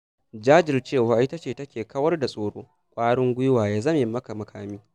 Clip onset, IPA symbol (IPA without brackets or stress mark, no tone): d͡ʒ